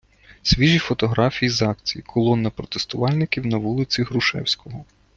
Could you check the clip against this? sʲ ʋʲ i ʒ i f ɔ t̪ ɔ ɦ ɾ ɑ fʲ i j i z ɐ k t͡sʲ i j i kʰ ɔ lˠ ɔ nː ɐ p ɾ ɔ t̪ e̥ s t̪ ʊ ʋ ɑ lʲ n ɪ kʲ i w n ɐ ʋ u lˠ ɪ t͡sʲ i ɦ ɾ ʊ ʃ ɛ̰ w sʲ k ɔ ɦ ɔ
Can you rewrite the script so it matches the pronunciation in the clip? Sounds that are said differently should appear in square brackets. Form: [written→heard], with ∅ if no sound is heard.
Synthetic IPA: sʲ ʋʲ i ʒ i f ɔ t̪ ɔ ɦ ɾ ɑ fʲ i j i z [ɐ→ɑ] k t͡sʲ i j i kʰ ɔ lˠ ɔ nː ɐ p ɾ ɔ t̪ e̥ s t̪ ʊ ʋ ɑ lʲ n ɪ kʲ i w n ɐ ʋ u lˠ ɪ t͡sʲ i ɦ ɾ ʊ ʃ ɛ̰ w sʲ k ɔ ɦ ɔ